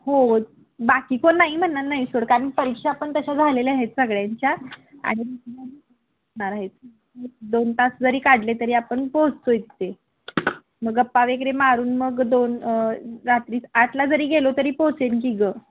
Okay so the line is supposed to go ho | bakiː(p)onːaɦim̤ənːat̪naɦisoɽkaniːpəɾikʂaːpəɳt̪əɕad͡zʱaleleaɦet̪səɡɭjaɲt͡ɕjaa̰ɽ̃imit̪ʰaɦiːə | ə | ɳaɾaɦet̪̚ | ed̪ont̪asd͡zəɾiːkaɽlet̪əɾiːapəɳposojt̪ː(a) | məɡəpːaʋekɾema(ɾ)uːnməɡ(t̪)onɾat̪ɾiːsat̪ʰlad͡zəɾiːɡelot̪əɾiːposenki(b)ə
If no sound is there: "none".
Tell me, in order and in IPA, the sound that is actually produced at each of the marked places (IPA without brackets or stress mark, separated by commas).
k, e, ɾ, d̪, ɡ